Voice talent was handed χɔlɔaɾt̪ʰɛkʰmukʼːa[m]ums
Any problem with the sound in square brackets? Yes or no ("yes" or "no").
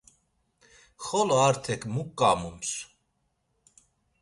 no